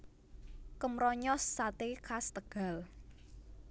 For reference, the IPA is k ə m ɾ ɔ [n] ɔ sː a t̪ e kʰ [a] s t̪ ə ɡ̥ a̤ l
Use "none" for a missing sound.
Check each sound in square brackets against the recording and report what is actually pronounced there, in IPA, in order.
ɲ, a

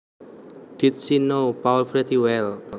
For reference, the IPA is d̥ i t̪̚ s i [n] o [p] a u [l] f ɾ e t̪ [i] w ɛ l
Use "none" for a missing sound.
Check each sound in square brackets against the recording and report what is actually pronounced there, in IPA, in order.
n, p, l, i

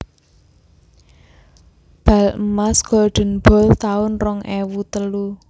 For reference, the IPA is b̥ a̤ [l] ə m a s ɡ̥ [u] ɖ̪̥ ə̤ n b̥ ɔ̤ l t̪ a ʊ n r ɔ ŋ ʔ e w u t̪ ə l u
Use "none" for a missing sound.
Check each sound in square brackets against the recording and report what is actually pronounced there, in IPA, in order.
l, ɔ

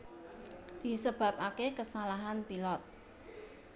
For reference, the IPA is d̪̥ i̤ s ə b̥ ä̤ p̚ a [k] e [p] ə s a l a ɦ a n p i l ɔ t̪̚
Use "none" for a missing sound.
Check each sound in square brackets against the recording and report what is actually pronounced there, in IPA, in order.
k, k

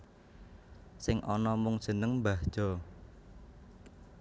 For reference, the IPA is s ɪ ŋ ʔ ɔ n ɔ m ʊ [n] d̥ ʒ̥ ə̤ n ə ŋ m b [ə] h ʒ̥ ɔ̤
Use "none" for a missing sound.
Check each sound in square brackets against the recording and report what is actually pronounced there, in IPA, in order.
ŋ, a

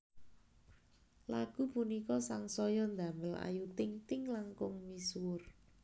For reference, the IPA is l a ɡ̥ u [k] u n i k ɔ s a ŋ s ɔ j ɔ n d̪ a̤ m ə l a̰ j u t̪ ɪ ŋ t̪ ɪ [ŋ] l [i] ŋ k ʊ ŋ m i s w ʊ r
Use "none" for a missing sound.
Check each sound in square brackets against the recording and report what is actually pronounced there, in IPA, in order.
p, ŋ, a

